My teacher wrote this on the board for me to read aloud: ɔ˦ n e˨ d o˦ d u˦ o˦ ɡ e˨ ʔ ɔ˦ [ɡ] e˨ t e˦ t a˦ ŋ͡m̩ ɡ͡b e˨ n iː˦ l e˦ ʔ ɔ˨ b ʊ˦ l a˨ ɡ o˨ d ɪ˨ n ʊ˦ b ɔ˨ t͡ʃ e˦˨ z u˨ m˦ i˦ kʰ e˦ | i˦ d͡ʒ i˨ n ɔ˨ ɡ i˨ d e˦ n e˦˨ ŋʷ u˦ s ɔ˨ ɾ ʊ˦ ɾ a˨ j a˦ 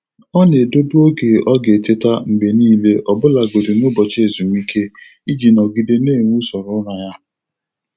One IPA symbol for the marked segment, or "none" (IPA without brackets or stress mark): ɡ